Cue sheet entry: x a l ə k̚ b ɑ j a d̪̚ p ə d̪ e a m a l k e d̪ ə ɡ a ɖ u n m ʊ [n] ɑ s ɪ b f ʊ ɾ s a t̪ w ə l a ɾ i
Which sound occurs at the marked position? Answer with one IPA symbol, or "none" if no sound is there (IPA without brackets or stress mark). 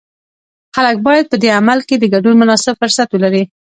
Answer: n